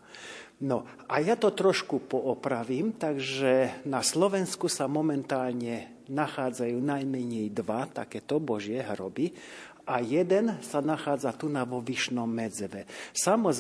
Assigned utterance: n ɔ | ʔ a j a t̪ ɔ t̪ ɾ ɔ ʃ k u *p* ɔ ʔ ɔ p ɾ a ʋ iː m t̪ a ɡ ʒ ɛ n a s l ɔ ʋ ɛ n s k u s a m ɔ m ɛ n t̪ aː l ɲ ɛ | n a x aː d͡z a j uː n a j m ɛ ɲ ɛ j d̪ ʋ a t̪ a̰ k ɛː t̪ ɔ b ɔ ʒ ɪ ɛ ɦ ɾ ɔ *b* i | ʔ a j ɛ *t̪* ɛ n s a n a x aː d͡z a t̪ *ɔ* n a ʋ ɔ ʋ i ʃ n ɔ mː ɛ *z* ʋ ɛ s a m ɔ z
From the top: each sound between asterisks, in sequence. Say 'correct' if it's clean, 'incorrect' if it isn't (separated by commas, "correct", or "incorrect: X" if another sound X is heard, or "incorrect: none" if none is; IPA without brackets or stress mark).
correct, correct, incorrect: d̪, incorrect: u, incorrect: d͡z